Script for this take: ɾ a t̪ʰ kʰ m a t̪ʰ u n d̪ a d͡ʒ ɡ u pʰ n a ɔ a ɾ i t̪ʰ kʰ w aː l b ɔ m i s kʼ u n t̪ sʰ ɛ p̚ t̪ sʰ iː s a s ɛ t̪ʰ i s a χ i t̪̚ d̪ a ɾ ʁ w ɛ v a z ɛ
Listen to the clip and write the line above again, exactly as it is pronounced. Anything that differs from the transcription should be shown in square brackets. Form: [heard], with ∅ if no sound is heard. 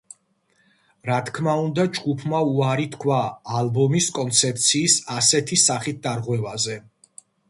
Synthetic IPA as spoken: ɾ a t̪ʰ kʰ m a [∅] u n d̪ a d͡ʒ ɡ u pʰ [m] a [u] a ɾ i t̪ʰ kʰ w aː l b ɔ m i s kʼ [ɔ] n t̪ sʰ ɛ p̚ t̪ sʰ iː s a s ɛ t̪ʰ i s a χ i t̪̚ d̪ a ɾ ʁ w ɛ v a z ɛ